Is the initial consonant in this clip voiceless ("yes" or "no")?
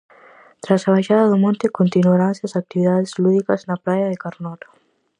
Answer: yes